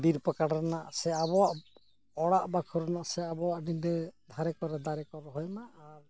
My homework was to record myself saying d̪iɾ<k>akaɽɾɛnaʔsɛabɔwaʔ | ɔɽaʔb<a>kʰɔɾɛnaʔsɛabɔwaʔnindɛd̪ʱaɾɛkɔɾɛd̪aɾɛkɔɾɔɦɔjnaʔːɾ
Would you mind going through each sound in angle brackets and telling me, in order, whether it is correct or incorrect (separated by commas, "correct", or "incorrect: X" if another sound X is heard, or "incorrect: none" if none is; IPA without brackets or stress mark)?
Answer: incorrect: p, correct